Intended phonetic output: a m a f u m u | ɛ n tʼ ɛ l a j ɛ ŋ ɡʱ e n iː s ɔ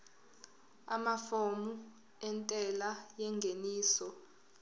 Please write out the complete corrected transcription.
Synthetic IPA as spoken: a m a f o m u | ɛ n tʼ ɛ l a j ɛ ŋ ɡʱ e n iː s ɔ